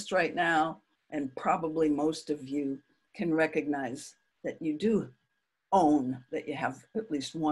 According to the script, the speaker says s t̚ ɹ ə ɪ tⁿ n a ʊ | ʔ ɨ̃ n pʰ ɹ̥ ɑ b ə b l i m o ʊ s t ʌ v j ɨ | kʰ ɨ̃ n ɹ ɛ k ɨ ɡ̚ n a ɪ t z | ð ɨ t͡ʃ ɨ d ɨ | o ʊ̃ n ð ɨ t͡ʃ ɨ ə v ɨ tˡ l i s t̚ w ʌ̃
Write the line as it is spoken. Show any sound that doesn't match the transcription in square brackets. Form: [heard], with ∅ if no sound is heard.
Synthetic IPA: s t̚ ɹ [a] ɪ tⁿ n a ʊ | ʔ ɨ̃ n pʰ ɹ̥ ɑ b ə b l i m o ʊ s t ʌ v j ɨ | kʰ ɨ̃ n ɹ ɛ k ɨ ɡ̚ n a ɪ [∅] z | ð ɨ t͡ʃ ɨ d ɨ | [õ] ʊ̃ n ð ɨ t͡ʃ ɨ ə v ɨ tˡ l i s t̚ w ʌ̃